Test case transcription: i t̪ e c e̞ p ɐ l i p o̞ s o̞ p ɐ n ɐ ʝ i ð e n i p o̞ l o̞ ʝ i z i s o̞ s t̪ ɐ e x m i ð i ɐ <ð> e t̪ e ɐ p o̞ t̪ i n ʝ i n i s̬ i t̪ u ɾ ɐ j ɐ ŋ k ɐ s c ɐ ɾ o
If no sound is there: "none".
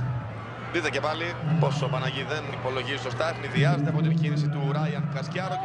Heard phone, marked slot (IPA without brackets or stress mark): z